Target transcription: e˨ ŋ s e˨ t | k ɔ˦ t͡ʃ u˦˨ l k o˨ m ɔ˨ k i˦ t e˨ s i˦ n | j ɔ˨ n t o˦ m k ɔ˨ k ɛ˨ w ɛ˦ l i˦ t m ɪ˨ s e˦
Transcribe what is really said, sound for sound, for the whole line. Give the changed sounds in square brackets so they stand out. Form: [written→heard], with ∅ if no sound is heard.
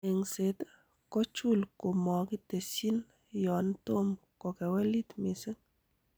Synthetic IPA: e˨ ŋ s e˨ t | k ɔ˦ t͡ʃ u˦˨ l k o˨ m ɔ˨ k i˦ t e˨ s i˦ n | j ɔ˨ n t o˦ m k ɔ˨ k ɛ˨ w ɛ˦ l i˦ t m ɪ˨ s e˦